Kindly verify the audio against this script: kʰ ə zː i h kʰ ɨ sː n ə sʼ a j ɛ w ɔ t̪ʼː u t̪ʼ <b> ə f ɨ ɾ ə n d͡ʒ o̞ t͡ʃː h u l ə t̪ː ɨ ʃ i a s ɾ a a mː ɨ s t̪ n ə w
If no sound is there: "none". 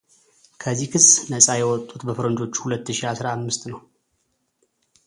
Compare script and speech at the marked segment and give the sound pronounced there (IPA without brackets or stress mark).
b